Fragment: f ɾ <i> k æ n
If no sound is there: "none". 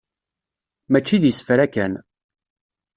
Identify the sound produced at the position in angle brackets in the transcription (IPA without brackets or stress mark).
æ